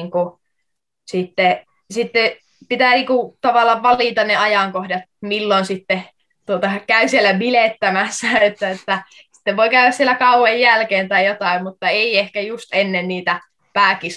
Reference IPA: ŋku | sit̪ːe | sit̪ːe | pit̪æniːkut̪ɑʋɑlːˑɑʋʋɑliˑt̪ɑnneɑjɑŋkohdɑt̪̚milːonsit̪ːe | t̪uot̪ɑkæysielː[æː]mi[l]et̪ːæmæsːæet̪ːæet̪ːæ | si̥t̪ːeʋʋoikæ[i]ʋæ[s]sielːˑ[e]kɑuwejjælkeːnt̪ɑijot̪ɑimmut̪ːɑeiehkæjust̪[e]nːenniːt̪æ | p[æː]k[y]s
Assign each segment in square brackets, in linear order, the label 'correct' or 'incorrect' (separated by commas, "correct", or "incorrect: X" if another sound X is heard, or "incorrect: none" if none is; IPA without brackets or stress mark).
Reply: incorrect: æ, correct, incorrect: y, correct, incorrect: æ, correct, correct, incorrect: i